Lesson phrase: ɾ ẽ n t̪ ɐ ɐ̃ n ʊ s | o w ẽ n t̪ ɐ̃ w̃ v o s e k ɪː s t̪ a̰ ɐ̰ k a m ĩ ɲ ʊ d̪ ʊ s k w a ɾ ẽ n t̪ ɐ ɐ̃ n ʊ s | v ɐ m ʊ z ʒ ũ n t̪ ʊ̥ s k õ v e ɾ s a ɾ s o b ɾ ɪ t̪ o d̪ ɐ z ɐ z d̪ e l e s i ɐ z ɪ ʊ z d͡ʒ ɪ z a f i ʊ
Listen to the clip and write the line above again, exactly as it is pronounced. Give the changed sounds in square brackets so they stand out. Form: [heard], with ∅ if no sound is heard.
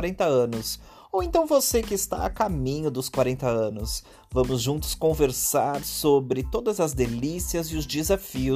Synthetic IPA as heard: ɾ ẽ n t̪ ɐ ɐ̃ n ʊ s | o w ẽ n t̪ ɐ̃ w̃ v o s e k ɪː s t̪ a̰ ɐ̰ k a m ĩ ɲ ʊ d̪ ʊ s k w a ɾ ẽ n t̪ ɐ ɐ̃ n ʊ s | v [ɐ̃] m ʊ z ʒ ũ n t̪ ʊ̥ s k õ v e ɾ s a ɾ s o b ɾ ɪ t̪ o d̪ ɐ z ɐ z d̪ e l [i] s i ɐ z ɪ ʊ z d͡ʒ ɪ z a f i ʊ